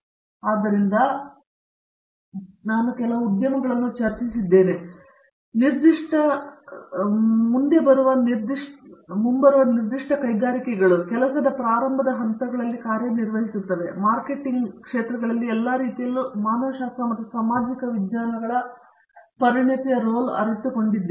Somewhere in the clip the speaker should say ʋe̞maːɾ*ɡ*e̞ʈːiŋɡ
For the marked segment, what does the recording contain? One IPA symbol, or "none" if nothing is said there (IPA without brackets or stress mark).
k